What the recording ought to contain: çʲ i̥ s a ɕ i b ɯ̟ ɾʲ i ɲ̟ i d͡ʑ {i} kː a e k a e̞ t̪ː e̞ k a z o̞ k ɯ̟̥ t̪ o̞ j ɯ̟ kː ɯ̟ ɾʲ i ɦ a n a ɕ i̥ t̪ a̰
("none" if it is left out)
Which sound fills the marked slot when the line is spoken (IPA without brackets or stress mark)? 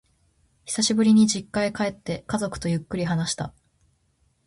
i